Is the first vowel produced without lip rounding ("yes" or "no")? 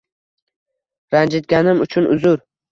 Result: yes